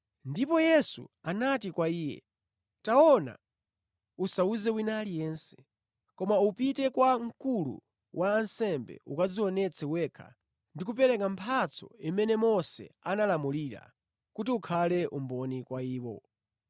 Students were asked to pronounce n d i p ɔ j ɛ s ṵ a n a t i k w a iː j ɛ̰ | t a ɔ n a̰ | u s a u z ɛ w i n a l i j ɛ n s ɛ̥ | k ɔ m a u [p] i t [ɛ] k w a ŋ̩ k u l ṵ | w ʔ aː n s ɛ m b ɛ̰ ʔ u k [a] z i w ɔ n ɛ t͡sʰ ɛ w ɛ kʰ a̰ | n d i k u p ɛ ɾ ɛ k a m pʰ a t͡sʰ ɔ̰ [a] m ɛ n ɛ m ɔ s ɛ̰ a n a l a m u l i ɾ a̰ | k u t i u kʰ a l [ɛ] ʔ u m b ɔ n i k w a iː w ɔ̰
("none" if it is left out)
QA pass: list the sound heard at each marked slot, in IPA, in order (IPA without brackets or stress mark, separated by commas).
p, ɛ, a, i, ɛ